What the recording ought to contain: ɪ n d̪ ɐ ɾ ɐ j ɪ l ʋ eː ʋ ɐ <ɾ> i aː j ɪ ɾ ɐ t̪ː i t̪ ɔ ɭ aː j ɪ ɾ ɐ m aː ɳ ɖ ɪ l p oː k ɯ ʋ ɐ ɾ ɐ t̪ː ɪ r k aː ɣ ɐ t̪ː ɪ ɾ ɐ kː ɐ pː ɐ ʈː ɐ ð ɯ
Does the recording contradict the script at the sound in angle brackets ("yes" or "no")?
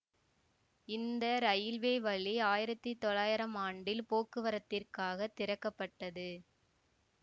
yes